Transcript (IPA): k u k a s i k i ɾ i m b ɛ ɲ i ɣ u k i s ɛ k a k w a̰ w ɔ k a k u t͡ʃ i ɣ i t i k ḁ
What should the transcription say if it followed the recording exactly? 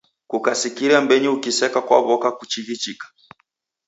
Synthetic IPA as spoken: k u k a s i k i ɾ a m b ɛ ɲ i u k i s ɛ k a k w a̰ β ɔ k a k u t͡ʃ i ɣ i t͡ʃ i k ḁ